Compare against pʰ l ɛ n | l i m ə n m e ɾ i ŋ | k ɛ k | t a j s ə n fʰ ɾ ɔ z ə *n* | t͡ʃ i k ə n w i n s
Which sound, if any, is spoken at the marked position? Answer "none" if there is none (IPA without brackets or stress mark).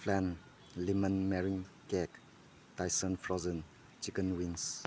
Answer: n